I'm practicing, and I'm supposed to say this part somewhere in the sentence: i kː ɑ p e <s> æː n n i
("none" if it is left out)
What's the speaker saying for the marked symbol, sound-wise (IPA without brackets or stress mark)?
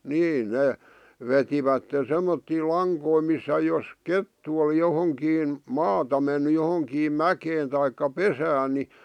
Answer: s